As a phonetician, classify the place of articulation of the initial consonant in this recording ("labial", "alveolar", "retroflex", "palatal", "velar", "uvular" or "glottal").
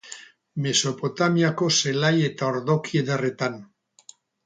labial